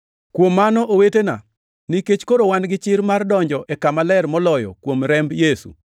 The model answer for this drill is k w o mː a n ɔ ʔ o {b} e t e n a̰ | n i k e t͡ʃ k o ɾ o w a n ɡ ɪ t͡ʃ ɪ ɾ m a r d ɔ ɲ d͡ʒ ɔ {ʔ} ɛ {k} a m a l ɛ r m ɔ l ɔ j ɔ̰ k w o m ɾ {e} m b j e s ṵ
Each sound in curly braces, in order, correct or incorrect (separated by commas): incorrect, correct, correct, incorrect